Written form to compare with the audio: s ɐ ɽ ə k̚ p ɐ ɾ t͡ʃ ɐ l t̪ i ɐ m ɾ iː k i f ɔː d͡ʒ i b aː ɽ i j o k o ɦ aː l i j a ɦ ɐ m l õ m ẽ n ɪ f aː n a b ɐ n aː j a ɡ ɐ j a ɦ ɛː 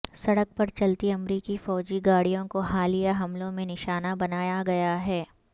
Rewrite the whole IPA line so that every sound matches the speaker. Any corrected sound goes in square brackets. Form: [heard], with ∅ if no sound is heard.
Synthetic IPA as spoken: s ɐ ɽ ə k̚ p ɐ ɾ t͡ʃ ɐ l t̪ i ɐ m ɾ iː k i f ɔː d͡ʒ i [ɡ] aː ɽ i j [õ] k o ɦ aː l i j a ɦ ɐ m l õ m ẽ n ɪ [ʃ] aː n a b ɐ n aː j a ɡ ɐ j a ɦ ɛː